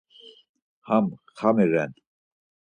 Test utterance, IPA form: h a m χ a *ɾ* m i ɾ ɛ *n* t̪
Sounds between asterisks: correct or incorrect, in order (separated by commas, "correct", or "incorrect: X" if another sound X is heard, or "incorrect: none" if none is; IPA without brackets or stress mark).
incorrect: none, correct